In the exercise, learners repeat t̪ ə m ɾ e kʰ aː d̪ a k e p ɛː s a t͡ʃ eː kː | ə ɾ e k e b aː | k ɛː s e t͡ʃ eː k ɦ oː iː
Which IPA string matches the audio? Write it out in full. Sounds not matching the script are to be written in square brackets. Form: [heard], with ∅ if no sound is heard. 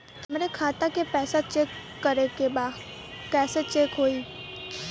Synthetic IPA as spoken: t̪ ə m ɾ e kʰ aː [t̪] a k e p ɛː s a t͡ʃ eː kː | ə ɾ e k e b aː | k ɛː s e t͡ʃ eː k ɦ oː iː